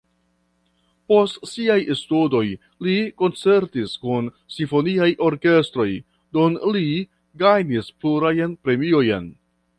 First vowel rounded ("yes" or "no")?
yes